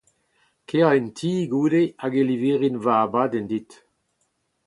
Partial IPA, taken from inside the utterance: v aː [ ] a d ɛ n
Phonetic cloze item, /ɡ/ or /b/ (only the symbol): b